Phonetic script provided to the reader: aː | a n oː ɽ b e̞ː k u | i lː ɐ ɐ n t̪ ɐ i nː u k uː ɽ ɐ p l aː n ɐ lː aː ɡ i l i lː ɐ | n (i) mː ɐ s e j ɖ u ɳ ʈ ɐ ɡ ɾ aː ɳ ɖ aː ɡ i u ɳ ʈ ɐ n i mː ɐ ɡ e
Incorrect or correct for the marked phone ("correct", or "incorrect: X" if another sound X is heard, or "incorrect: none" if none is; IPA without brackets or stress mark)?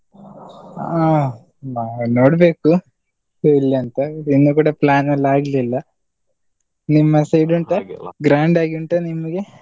correct